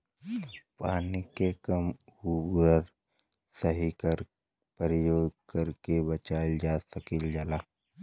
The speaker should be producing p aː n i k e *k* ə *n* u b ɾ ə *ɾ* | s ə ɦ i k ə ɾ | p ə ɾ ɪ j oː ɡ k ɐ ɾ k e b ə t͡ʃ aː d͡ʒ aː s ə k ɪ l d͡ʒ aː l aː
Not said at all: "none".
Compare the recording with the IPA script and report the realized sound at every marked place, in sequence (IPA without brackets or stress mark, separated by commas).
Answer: k, m, ɾ